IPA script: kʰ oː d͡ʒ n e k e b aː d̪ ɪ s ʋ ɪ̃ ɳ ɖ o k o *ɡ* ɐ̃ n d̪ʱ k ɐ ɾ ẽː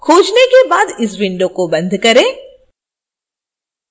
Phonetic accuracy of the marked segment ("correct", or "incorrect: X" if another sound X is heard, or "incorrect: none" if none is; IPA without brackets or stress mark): incorrect: b